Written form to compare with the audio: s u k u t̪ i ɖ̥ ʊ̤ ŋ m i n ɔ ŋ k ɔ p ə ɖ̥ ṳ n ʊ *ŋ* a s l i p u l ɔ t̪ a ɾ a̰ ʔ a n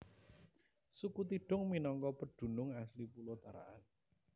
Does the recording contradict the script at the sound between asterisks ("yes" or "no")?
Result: no